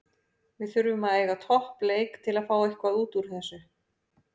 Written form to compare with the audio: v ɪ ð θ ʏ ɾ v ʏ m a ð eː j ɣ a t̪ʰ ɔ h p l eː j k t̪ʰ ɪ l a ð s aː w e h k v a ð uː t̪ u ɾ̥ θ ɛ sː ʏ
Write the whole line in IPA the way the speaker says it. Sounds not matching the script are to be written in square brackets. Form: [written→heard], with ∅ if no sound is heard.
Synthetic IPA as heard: v ɪ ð θ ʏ ɾ v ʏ m a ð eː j ɣ a t̪ʰ ɔ h p l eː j k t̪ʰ ɪ l a ð [s→f] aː w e h k v a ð uː t̪ u ɾ̥ θ ɛ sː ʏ